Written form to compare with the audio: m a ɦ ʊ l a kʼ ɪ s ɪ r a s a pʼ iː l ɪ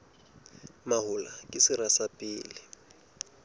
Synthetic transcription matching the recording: m a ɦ ʊ l a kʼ ɪ s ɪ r a s a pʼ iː l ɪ